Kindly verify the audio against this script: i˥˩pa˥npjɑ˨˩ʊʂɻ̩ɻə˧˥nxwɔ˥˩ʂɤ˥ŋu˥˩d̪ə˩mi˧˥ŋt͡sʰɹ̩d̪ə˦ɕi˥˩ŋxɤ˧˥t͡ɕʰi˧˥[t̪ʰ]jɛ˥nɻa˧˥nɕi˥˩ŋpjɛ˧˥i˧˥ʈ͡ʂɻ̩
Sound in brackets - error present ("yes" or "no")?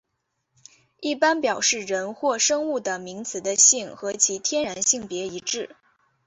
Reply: no